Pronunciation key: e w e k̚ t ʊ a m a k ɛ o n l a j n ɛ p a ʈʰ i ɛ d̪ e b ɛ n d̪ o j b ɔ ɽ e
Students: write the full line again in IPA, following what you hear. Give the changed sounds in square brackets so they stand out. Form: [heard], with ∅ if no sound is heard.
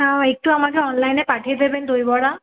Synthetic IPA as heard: [a] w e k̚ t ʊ a m a k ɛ [ɔ] n l a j n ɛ p a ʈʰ i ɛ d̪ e b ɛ n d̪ o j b ɔ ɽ [a]